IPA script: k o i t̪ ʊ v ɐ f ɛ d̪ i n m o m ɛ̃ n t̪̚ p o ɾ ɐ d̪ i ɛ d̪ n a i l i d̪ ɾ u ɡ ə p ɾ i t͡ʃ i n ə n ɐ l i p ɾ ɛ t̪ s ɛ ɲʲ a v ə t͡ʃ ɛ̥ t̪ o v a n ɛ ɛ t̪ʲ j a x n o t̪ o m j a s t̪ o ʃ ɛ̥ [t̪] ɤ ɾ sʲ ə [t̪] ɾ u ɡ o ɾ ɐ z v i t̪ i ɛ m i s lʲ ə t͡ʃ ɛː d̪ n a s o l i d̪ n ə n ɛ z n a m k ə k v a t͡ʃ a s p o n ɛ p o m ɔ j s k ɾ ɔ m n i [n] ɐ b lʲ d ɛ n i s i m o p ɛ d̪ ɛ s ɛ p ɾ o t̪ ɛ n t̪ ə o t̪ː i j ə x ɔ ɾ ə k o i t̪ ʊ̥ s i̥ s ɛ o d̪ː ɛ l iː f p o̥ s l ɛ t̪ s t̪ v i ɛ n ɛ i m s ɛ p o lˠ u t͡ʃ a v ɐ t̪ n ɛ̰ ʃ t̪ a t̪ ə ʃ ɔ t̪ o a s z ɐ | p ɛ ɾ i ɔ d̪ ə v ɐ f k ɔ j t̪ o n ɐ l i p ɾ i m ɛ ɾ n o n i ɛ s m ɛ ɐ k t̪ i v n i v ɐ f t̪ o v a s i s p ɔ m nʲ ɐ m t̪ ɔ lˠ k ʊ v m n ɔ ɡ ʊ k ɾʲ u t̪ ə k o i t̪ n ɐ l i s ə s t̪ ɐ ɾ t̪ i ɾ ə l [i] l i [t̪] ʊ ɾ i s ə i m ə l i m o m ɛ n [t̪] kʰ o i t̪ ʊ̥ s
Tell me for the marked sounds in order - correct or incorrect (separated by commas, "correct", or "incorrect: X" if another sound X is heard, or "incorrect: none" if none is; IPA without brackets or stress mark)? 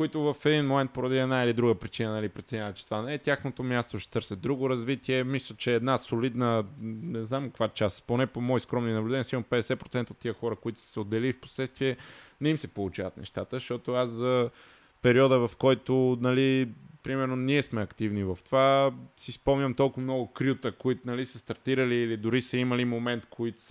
correct, incorrect: d̪, correct, incorrect: iː, incorrect: d̪, correct